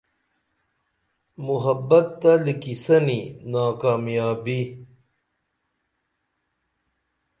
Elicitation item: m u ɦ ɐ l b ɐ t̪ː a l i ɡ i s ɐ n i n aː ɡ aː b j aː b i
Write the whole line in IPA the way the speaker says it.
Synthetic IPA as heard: m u ɦ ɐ b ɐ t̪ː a l i k i s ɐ n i n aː k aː m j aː b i